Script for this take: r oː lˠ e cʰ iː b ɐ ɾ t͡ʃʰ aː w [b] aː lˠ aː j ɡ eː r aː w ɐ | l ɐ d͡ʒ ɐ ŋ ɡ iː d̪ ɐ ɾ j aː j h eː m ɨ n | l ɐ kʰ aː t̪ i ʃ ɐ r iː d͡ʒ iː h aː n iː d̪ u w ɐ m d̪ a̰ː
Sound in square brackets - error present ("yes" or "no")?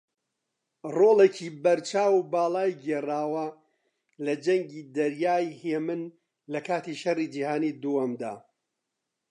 no